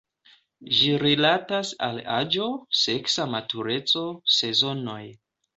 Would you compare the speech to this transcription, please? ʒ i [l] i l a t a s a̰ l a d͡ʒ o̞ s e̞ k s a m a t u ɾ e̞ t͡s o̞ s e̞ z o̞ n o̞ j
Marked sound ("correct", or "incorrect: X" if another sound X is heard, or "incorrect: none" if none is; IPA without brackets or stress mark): incorrect: ɾ